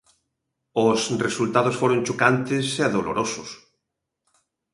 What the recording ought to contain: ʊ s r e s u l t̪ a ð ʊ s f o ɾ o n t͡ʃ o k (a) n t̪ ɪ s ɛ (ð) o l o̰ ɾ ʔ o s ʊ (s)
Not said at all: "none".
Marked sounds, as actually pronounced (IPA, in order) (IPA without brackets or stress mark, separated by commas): a, ð, s